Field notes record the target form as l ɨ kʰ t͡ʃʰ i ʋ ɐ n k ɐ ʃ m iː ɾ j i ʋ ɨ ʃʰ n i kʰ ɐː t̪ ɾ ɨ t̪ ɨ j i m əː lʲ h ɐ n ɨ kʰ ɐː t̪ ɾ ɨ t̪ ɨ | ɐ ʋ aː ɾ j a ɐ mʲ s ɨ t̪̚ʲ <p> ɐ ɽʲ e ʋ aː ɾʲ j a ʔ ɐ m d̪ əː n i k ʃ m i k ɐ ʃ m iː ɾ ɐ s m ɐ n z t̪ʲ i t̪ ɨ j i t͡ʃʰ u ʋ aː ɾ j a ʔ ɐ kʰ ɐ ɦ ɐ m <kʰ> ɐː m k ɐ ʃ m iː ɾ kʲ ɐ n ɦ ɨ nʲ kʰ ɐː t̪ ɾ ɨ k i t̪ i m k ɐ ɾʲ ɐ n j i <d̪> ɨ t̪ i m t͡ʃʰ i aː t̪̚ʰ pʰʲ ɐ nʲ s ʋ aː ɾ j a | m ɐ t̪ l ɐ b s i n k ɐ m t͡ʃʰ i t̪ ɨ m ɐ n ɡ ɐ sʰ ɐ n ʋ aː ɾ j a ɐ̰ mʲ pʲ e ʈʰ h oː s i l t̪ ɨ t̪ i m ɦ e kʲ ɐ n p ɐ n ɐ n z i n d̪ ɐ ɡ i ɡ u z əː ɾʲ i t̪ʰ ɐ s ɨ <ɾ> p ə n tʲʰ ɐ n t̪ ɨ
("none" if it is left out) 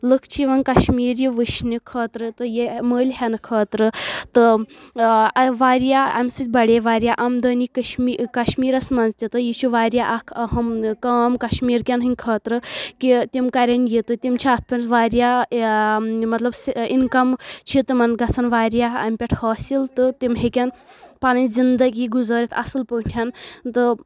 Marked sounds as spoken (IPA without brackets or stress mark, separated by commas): b, k, t̪, l